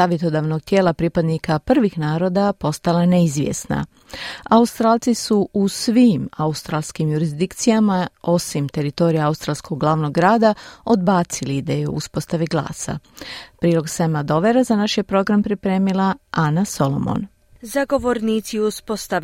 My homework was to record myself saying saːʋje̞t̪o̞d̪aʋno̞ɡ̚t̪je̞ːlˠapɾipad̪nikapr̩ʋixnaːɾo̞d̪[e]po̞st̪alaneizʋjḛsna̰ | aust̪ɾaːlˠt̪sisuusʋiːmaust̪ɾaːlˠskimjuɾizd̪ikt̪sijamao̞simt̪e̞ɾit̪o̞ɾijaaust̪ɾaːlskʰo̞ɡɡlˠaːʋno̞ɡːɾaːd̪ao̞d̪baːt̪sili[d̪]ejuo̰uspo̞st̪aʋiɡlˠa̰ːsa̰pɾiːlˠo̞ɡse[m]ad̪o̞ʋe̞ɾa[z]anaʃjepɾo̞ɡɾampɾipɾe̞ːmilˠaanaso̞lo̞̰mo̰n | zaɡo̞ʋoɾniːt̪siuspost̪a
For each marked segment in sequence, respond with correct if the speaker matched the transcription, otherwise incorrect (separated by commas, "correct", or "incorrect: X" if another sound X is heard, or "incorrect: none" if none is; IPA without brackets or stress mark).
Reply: incorrect: a, correct, correct, correct